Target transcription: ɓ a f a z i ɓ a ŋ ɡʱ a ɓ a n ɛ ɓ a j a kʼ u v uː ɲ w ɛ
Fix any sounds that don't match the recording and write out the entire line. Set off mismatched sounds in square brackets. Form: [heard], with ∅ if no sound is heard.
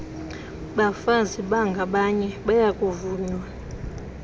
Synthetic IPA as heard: ɓ a f a z i ɓ a ŋ ɡʱ a ɓ a [ɲ] ɛ ɓ a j a kʼ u v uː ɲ w [a]